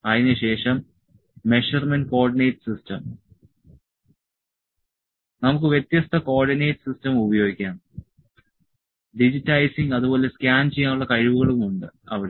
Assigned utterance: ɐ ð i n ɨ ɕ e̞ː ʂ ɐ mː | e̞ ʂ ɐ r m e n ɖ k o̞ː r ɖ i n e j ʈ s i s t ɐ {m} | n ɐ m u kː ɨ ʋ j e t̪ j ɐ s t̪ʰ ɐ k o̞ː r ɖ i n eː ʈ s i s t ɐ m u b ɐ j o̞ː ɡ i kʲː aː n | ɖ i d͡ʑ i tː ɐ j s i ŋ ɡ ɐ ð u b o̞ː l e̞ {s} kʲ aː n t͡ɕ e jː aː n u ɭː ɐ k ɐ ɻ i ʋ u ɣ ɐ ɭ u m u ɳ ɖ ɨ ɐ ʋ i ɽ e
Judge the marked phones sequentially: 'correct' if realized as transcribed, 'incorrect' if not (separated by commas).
correct, correct